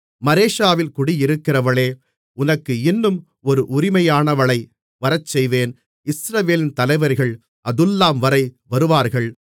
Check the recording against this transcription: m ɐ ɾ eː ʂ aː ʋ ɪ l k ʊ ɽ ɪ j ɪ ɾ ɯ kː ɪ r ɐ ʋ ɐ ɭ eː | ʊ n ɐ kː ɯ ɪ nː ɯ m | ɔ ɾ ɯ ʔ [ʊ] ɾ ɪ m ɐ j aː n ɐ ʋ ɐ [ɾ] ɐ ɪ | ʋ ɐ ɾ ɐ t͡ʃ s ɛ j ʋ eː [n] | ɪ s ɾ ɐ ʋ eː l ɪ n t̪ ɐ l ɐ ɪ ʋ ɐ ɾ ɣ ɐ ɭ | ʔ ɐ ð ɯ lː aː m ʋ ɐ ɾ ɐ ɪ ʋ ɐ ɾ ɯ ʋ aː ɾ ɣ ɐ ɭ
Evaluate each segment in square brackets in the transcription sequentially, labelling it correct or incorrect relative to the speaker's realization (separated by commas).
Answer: correct, incorrect, correct